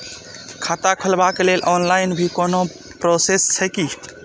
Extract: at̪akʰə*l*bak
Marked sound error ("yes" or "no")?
no